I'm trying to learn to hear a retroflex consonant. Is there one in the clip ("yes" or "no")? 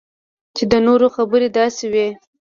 no